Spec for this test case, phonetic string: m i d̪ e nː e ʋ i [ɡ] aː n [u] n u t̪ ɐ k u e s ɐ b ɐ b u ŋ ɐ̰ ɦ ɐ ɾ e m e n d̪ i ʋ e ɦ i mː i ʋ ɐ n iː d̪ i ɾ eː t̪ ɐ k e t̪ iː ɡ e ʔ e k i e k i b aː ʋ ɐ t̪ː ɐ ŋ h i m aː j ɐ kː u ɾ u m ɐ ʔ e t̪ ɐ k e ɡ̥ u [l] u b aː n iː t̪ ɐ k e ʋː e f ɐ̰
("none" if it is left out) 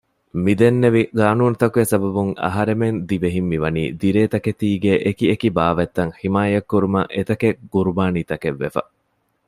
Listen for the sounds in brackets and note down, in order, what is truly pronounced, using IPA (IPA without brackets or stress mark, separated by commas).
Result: ɡ, uː, ɾ